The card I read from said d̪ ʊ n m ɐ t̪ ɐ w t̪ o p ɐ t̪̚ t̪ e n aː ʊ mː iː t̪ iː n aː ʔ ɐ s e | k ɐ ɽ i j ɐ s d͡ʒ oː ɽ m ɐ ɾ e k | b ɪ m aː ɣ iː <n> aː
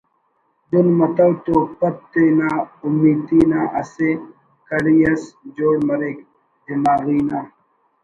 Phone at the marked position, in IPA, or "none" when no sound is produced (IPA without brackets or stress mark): n